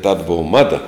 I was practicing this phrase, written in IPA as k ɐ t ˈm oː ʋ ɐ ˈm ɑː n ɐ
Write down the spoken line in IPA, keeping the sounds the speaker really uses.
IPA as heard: t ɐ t ˈb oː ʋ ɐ ˈm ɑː d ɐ